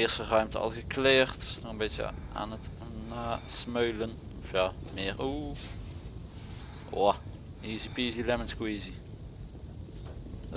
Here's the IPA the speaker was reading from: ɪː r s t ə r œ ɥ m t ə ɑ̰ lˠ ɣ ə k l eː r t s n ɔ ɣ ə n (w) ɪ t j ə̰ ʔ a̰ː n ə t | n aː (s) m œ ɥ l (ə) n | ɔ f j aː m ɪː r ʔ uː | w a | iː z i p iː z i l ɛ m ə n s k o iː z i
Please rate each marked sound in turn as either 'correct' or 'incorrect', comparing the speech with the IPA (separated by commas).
incorrect, correct, correct